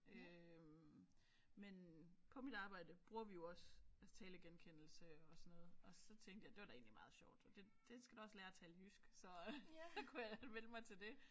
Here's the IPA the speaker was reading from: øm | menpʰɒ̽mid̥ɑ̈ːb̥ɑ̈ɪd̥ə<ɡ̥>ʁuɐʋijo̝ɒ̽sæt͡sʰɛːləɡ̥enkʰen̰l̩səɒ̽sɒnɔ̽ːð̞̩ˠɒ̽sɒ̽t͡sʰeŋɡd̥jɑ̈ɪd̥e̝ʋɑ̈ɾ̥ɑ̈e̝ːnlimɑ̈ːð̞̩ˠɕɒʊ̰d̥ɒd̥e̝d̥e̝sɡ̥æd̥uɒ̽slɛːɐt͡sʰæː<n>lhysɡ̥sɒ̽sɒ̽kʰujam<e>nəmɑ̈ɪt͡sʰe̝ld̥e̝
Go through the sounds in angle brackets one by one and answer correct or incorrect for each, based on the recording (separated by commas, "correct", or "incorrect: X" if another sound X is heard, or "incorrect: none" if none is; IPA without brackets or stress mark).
incorrect: b̥, incorrect: none, correct